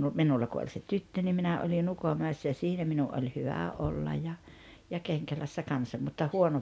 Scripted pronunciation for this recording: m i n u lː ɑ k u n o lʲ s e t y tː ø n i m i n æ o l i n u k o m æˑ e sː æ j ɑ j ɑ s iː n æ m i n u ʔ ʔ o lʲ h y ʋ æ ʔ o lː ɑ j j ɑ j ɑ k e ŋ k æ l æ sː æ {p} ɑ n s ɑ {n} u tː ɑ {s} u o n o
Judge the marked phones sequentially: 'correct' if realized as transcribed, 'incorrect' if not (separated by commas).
incorrect, incorrect, incorrect